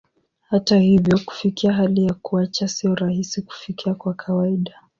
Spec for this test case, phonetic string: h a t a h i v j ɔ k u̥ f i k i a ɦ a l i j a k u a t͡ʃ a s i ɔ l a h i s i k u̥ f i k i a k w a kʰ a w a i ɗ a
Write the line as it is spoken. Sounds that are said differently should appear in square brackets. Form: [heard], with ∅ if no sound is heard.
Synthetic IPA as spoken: h a t a h i v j ɔ k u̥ f i k i a ɦ a l i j a k u a t͡ʃ a s i ɔ [ɾ] a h i s i k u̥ f i k i a k w a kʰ a w a i ɗ a